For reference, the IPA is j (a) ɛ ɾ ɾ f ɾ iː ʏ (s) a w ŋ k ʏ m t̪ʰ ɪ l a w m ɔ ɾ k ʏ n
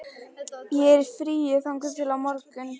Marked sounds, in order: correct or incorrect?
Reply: incorrect, incorrect

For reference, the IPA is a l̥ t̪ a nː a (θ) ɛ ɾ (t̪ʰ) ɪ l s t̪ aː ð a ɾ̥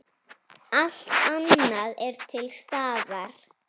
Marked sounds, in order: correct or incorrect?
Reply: incorrect, correct

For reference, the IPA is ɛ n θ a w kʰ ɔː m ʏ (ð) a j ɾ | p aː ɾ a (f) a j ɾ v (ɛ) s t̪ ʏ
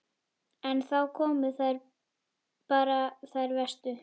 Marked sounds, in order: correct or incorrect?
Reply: incorrect, incorrect, correct

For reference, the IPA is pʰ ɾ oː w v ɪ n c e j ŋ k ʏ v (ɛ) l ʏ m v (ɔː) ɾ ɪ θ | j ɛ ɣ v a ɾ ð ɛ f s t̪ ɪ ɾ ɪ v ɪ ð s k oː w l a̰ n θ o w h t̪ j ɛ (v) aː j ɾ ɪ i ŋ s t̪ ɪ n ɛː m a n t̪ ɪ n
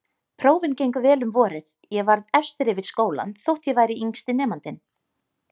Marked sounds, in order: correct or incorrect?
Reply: incorrect, correct, correct

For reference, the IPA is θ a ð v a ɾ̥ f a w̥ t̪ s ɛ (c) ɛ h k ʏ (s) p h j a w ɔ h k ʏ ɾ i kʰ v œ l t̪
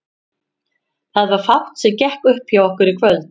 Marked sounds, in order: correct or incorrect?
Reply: correct, incorrect

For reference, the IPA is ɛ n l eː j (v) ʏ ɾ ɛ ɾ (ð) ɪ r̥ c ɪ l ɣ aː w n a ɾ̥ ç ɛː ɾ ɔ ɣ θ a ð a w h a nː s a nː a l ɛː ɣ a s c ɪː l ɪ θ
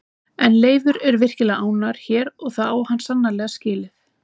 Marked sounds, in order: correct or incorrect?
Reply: correct, incorrect

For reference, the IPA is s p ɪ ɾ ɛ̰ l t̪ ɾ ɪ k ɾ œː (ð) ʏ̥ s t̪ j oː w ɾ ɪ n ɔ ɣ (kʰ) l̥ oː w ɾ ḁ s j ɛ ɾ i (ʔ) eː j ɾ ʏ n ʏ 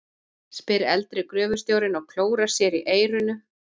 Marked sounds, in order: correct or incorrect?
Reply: incorrect, correct, correct

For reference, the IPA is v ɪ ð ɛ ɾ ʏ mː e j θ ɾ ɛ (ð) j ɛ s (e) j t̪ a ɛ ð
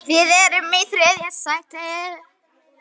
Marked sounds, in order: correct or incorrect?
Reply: correct, incorrect

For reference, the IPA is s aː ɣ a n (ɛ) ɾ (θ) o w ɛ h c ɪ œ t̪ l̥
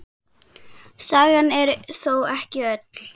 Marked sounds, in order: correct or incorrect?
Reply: correct, correct

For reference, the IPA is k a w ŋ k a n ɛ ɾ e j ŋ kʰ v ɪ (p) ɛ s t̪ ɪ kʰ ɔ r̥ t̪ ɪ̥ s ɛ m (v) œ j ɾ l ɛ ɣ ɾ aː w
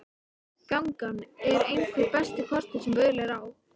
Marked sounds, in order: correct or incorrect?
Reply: correct, correct

